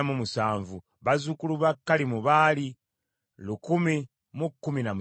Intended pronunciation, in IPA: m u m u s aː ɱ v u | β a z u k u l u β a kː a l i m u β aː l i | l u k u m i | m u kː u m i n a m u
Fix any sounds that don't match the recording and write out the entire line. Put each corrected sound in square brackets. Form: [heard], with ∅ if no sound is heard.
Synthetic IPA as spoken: m u m u s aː ɱ v u | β a z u k u l u β a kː a l i m u β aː l i | l u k u m i | m u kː u m i n a m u